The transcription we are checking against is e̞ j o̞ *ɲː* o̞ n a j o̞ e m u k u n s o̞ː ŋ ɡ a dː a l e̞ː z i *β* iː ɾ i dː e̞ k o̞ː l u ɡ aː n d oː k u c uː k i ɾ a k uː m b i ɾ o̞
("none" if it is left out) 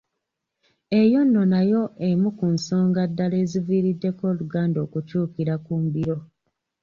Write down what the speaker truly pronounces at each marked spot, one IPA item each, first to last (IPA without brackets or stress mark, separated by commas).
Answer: nː, v